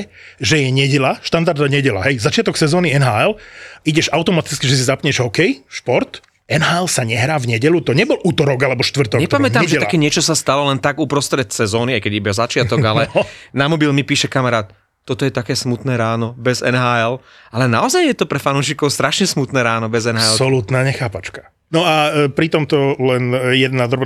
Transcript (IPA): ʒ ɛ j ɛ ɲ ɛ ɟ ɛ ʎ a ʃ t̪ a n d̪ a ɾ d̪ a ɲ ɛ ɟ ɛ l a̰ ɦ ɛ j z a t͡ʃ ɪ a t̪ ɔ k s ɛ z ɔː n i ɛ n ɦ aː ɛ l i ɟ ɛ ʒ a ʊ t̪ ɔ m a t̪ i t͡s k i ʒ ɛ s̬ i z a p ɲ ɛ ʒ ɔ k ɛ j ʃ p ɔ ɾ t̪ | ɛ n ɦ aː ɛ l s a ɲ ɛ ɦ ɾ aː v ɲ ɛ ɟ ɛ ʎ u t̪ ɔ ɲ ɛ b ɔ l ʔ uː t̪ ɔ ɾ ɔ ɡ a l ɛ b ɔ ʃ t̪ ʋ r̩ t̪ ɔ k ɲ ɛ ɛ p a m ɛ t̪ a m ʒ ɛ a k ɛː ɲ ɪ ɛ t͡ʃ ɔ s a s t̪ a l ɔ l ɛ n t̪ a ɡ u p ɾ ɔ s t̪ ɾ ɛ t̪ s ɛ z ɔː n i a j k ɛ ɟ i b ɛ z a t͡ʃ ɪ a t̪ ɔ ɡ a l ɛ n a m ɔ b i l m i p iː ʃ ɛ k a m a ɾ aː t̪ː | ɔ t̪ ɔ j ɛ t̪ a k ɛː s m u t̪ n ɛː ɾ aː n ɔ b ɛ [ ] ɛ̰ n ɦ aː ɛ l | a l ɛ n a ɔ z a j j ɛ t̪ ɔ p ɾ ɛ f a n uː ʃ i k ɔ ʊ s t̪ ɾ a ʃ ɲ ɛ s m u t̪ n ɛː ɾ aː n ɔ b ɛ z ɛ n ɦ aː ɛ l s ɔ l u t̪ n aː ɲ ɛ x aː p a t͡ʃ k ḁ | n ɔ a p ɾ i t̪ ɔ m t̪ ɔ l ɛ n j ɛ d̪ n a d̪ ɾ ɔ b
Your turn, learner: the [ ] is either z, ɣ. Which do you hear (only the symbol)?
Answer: z